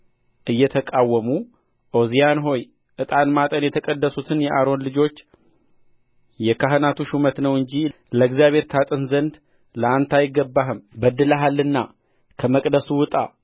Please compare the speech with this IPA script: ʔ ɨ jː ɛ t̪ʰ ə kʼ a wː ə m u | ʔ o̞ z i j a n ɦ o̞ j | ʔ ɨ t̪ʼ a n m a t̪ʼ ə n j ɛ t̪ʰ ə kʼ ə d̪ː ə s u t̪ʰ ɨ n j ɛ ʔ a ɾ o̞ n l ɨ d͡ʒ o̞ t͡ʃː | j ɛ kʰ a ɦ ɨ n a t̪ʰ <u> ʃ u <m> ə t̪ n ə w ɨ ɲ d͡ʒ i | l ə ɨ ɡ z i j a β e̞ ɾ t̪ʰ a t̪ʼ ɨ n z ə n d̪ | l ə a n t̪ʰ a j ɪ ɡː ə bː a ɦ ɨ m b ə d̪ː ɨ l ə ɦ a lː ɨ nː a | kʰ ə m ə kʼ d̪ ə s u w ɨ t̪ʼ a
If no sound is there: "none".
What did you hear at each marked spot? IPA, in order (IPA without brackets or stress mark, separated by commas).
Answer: u, m